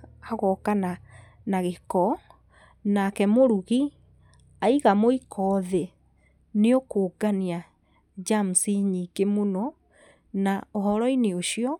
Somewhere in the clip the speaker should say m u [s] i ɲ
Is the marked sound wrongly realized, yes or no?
no